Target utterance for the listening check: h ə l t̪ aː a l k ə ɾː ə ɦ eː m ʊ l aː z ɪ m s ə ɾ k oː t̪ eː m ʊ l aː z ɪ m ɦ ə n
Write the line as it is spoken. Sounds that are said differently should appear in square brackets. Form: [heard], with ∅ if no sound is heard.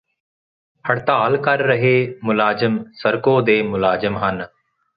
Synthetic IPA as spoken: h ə [ɽ] t̪ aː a l k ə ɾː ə ɦ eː m ʊ l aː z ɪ m s ə ɾ k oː [d̪] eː m ʊ l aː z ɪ m ɦ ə n

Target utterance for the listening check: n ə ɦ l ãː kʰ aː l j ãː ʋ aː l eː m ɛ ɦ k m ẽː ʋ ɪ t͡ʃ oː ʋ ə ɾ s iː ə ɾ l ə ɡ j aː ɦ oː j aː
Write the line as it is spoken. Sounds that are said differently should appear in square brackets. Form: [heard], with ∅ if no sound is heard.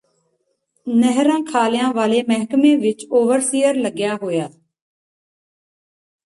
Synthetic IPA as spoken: n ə ɦ [ɾ] ãː kʰ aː l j ãː ʋ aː l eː m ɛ ɦ k m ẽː ʋ ɪ t͡ʃ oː ʋ ə ɾ s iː ə ɾ l ə ɡ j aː ɦ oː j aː

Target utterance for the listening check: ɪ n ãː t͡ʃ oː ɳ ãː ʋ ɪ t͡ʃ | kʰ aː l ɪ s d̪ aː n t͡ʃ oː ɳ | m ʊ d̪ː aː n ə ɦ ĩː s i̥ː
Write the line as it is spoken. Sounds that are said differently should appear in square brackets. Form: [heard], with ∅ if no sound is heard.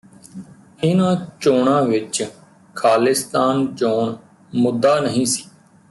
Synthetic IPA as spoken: ɪ n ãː t͡ʃ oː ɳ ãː ʋ ɪ t͡ʃ | kʰ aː l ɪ s [t̪] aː n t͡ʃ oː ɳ | m ʊ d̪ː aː n ə ɦ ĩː s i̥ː

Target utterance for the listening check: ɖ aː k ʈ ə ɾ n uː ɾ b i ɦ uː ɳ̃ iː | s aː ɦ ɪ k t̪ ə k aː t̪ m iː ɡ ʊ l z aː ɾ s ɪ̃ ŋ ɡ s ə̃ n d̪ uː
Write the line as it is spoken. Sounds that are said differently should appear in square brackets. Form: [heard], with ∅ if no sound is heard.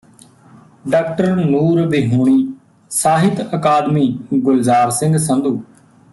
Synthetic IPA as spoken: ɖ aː k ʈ ə ɾ n uː ɾ b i ɦ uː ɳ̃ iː | s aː ɦ ɪ [∅] t̪ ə k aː [d̪] m iː ɡ ʊ l z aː ɾ s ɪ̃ ŋ ɡ s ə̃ n d̪ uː

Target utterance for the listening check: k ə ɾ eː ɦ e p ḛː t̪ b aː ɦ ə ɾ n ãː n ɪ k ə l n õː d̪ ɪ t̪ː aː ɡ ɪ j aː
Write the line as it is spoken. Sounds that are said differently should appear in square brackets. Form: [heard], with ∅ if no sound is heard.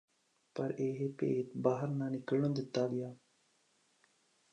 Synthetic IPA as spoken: [p] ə ɾ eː ɦ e p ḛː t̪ b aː ɦ ə ɾ n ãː n ɪ k ə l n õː d̪ ɪ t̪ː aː ɡ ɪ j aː

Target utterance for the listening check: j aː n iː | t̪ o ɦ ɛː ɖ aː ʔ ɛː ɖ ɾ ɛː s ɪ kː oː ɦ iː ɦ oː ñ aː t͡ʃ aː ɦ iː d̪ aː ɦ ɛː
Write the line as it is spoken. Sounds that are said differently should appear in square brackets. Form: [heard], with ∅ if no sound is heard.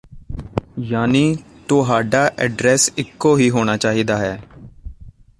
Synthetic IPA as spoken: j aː n iː | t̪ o ɦ [aː] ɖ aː ʔ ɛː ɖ ɾ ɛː s ɪ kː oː ɦ iː ɦ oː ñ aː t͡ʃ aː ɦ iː d̪ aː ɦ ɛː

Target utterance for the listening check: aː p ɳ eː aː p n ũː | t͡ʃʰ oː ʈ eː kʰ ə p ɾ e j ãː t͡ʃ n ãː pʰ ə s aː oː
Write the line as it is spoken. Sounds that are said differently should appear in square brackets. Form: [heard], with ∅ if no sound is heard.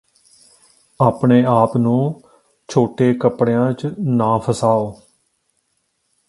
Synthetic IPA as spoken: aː p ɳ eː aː p n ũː | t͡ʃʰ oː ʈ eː [k] ə p [ɽ] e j ãː t͡ʃ n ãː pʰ ə s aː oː

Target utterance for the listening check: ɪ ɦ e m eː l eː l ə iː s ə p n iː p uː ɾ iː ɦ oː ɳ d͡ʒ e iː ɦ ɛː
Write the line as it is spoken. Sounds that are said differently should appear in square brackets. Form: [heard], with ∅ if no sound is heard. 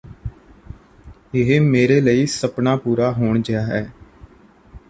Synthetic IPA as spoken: ɪ ɦ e m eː [ɾ] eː l ə iː s ə p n [aː] p uː ɾ [aː] ɦ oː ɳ d͡ʒ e [aː] ɦ ɛː

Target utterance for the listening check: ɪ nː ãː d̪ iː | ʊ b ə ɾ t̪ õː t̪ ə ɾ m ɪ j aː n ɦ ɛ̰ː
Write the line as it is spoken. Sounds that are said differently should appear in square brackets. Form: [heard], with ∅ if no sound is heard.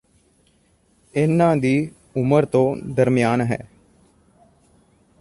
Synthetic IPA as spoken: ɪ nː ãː d̪ iː | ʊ [m] ə ɾ t̪ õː [d̪] ə ɾ m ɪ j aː n ɦ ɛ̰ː

